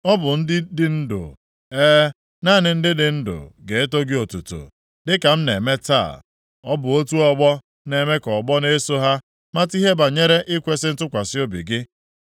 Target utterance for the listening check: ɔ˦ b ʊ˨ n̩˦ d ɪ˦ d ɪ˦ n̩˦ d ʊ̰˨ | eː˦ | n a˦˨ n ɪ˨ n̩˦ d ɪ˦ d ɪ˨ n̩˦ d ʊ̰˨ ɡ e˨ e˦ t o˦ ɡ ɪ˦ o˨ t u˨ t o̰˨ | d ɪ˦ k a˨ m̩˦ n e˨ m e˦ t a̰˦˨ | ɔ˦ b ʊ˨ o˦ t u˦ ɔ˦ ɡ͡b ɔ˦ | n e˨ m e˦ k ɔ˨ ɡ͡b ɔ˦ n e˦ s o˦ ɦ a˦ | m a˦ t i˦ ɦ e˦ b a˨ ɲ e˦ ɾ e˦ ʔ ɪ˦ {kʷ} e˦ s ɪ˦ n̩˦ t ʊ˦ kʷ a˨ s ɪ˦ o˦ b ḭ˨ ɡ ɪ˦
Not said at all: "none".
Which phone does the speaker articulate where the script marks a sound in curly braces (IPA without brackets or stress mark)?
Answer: kʷ